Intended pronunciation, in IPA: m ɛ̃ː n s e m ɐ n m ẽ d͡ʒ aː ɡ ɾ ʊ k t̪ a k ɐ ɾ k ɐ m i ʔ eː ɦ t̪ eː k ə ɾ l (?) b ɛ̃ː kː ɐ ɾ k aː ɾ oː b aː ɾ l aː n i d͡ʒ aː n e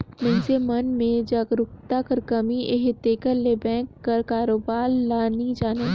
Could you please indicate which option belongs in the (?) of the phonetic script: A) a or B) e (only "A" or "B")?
B